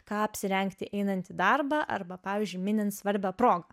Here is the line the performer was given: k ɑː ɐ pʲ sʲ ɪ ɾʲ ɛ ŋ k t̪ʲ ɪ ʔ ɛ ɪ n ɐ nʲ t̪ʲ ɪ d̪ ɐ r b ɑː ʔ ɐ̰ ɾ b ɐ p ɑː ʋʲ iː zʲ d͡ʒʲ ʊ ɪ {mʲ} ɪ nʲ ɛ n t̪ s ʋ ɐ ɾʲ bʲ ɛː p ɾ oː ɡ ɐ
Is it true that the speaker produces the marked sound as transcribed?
yes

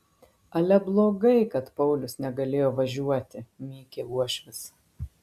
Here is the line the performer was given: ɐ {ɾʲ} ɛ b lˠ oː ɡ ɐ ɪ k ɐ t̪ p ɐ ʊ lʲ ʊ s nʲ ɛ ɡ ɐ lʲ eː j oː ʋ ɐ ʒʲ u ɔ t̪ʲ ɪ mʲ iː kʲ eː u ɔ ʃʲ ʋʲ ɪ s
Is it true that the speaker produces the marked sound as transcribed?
no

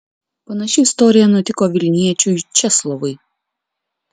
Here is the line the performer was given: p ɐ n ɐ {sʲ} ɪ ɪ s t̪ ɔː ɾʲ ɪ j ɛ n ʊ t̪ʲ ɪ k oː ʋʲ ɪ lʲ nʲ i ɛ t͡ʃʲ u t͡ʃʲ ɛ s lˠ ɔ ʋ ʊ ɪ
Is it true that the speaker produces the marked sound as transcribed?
no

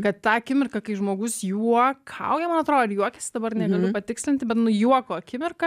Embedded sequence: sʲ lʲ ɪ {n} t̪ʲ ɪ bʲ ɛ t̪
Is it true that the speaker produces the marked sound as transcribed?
yes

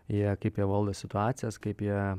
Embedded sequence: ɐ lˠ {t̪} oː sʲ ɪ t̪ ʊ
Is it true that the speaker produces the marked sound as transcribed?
no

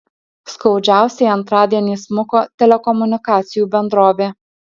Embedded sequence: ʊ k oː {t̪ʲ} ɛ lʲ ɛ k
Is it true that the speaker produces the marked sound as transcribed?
yes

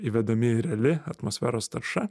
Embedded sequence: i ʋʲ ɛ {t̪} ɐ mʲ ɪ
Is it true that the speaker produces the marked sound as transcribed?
no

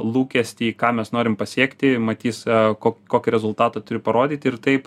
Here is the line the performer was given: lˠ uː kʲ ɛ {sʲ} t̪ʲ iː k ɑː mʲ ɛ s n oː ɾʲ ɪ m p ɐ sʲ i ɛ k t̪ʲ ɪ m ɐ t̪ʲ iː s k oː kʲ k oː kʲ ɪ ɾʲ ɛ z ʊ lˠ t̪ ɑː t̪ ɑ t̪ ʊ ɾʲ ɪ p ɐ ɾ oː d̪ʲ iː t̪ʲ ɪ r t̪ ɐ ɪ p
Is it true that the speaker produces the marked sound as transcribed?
yes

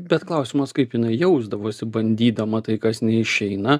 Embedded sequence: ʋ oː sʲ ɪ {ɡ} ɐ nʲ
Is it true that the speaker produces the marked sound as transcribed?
no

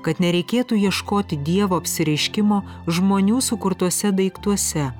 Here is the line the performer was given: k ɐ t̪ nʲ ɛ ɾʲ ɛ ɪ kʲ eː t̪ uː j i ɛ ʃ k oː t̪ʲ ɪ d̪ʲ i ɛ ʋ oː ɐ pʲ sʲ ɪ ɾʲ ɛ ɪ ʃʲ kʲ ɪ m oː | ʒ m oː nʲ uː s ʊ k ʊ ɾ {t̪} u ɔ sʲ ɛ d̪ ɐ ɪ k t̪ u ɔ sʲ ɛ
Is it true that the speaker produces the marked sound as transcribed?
yes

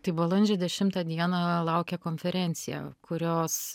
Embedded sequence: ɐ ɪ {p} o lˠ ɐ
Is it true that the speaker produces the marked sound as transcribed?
no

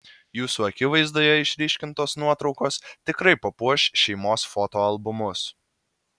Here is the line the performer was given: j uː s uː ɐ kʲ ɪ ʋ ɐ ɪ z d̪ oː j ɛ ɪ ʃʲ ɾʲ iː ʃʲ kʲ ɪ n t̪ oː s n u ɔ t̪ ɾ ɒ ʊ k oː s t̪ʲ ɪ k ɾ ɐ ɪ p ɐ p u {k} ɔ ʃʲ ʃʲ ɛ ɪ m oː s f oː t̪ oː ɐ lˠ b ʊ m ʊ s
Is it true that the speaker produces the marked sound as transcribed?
no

